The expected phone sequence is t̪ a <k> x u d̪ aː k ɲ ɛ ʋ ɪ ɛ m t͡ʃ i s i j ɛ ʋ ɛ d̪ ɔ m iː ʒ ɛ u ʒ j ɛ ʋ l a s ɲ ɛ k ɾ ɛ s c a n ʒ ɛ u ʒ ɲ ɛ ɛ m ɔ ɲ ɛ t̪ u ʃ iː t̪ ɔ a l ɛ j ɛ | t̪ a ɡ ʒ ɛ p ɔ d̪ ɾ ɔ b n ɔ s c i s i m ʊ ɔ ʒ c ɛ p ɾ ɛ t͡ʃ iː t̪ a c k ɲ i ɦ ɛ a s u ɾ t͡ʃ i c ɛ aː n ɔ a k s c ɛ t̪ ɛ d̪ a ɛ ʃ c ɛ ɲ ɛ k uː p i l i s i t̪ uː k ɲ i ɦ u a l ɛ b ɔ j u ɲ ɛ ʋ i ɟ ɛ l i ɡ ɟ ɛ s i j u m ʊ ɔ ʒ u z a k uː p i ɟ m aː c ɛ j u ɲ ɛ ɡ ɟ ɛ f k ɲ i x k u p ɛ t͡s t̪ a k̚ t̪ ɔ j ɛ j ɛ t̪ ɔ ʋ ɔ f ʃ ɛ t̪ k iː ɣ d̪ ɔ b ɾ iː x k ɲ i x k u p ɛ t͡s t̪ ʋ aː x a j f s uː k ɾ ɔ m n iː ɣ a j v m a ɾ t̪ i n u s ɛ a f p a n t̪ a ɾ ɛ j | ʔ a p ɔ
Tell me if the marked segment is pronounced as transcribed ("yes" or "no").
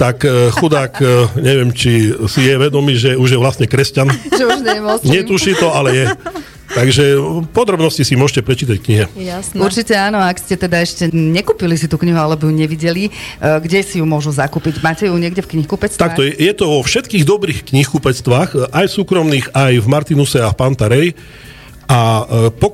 yes